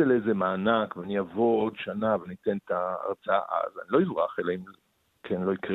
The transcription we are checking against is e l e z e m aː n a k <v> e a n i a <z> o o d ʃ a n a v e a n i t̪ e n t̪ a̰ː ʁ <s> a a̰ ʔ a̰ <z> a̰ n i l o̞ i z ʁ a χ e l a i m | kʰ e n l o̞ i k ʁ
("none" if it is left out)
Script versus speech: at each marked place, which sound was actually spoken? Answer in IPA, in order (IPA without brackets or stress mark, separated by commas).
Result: v, v, t͡s, z